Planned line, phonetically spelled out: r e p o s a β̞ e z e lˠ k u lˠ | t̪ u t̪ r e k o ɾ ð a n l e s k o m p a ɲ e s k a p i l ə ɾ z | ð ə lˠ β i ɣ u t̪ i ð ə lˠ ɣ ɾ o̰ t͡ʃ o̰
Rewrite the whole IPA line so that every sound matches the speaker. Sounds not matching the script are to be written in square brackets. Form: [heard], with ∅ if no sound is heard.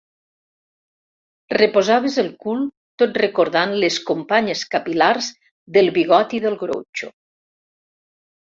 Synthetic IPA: r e p o [z] a β̞ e z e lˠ k u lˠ | t̪ [o] t̪ r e k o ɾ ð a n l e s k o m p a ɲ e s k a p i l [a] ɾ z | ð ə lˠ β i ɣ [ɔ] t̪ i ð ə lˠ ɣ ɾ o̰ t͡ʃ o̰